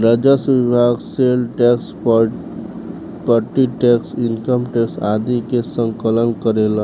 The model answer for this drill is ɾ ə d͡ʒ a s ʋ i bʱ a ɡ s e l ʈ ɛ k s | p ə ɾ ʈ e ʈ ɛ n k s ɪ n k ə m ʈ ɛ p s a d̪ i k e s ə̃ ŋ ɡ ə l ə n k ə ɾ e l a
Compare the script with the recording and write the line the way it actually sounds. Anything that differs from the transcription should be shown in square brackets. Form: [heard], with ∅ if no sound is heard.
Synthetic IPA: ɾ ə d͡ʒ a s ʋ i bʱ a ɡ s e l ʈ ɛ k s | p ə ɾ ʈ [i] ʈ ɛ [∅] k s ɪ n k ə m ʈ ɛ [k] s a d̪ i k e s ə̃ ŋ [k] ə l ə n k ə ɾ e l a

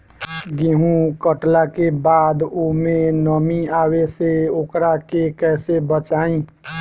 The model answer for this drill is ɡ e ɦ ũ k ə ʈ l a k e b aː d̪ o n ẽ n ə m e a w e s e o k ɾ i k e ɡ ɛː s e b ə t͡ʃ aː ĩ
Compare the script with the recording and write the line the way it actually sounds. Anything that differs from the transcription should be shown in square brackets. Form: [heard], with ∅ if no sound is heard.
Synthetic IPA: ɡ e ɦ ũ k ə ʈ l a k e b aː d̪ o [m] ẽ n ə m [i] a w e s e o k ɾ [a] k e [k] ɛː s e b ə t͡ʃ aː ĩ

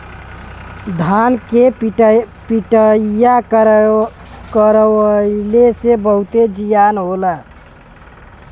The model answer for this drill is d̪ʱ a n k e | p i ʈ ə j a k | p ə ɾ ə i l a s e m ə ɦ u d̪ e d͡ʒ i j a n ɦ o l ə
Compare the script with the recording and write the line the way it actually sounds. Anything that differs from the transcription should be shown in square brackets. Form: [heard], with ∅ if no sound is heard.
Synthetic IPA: d̪ʱ a n k e | p i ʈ ə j a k | [k] ə ɾ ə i l [e] s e [b] ə ɦ u [t̪] e d͡ʒ i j a n ɦ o l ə

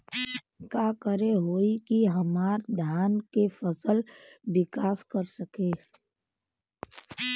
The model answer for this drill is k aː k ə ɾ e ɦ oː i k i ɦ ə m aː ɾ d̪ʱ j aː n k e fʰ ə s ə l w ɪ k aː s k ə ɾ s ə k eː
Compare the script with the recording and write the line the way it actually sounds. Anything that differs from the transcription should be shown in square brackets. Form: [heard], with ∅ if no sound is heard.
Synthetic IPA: k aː k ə ɾ e ɦ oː i k i ɦ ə m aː ɾ d̪ʱ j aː n k e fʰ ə s ə l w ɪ k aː s k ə ɾ s ə k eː

